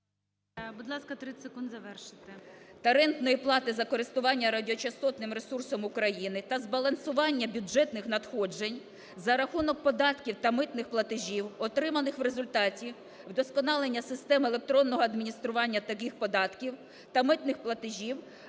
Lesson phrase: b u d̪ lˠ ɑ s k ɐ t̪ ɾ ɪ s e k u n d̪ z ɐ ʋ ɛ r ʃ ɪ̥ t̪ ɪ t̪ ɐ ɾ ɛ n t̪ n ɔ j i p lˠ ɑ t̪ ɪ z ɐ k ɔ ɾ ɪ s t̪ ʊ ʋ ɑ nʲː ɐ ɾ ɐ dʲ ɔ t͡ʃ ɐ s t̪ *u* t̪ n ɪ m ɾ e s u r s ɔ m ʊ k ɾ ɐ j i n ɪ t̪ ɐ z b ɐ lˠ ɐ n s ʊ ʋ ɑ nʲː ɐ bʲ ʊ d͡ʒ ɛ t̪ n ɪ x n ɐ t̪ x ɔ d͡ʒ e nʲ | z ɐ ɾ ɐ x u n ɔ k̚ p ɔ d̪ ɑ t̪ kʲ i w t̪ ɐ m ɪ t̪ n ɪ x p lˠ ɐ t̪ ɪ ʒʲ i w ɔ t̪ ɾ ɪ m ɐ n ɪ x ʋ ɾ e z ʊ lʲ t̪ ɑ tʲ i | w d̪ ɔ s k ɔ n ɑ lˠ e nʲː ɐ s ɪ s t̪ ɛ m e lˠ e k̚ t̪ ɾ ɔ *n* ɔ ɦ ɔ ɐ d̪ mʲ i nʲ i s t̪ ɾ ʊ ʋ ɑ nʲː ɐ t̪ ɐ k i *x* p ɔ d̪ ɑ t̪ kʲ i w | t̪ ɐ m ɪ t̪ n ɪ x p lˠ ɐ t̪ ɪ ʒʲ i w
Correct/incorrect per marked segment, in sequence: incorrect: ɔ, incorrect: nː, correct

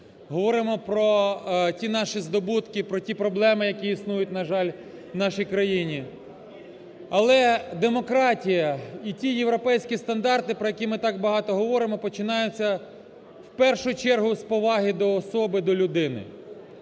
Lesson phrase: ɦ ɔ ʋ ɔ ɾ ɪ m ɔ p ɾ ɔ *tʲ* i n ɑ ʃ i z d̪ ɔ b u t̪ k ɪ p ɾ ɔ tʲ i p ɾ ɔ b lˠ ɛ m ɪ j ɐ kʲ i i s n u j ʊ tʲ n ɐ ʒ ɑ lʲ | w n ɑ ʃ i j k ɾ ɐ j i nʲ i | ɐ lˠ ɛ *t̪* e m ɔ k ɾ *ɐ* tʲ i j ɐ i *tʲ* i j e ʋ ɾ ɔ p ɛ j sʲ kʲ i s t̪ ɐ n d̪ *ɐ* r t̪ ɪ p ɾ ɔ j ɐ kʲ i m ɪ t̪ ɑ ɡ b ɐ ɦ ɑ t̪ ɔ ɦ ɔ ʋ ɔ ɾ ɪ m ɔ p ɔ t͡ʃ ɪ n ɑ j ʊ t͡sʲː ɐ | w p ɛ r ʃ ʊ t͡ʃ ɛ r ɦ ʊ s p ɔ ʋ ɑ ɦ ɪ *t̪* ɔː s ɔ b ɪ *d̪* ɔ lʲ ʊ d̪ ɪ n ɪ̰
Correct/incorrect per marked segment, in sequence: correct, incorrect: d̪, incorrect: ɑ, correct, incorrect: ɑ, incorrect: d̪, correct

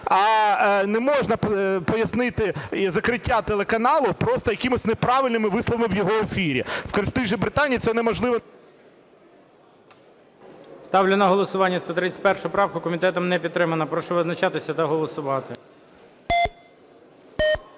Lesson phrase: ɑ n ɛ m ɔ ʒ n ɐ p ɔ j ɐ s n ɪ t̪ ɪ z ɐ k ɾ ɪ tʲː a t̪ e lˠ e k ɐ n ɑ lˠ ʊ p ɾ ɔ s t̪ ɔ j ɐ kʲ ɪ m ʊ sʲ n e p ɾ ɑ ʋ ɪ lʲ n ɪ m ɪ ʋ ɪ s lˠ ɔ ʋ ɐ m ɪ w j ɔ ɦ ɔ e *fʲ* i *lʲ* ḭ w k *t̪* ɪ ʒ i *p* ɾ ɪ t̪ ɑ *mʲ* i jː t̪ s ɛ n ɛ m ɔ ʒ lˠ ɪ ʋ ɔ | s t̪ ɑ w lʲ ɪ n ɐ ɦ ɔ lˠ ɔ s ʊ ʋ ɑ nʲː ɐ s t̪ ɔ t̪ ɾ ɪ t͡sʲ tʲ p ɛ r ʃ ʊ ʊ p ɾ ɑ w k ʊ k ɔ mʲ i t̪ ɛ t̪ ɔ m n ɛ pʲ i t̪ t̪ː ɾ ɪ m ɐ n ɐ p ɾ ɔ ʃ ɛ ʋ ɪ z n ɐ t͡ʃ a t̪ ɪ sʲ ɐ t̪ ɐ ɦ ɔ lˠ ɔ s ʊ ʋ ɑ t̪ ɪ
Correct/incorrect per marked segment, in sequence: correct, incorrect: ɾʲ, correct, incorrect: b, incorrect: nʲ

